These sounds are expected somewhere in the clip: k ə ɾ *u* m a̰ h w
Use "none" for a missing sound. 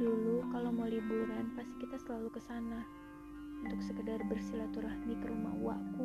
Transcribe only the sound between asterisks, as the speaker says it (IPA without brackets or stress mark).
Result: u